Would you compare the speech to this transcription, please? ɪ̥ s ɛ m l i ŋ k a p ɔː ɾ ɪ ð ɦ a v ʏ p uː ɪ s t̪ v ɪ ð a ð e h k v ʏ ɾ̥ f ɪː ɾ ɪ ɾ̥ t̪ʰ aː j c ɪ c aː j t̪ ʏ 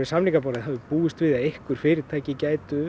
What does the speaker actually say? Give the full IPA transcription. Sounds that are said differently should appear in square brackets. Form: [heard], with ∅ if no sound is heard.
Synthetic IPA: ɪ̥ s [a] m l i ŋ k a p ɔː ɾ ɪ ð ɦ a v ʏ p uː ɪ s t̪ v ɪ ð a ð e h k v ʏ ɾ̥ f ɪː ɾ ɪ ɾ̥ t̪ʰ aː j c ɪ c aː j t̪ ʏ